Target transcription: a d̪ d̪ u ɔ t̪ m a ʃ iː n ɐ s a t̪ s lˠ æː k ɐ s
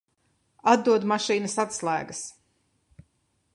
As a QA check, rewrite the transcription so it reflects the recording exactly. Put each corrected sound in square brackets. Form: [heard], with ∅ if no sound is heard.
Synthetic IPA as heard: a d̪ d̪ u ɔ [d̪] m a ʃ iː n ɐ s a t̪ s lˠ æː [ɡ] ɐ s